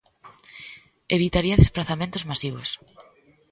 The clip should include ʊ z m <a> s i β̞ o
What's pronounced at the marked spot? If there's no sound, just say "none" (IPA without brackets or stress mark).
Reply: a